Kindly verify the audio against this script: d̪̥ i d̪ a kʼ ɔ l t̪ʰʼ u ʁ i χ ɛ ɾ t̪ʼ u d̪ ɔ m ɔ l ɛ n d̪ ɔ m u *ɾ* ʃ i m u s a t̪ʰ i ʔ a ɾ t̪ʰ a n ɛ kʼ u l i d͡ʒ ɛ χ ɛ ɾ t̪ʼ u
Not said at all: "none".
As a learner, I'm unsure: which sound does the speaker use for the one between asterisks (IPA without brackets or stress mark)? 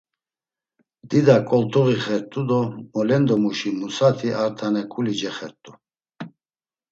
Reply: none